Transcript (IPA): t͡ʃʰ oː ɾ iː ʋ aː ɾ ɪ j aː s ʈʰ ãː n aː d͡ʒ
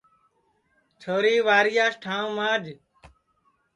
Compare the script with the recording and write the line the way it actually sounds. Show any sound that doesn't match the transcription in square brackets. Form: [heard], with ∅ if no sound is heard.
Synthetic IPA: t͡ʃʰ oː ɾ iː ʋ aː ɾ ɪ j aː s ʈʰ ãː [m] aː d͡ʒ